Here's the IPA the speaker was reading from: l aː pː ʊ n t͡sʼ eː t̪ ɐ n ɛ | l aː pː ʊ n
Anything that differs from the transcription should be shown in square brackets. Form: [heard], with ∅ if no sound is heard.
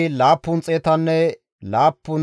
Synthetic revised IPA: l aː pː ʊ n t͡sʼ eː t̪ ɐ [nː] ɛ | l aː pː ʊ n